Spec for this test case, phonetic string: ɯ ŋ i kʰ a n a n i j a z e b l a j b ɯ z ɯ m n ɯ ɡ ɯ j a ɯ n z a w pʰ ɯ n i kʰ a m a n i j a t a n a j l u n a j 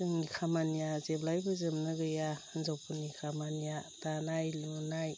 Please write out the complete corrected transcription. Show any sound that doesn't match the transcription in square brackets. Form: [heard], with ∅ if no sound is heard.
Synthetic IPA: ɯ ŋ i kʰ a [m] a n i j a z e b l a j b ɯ z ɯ m n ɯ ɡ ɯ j a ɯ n z a w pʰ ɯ n i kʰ a m a n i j a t a n a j l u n a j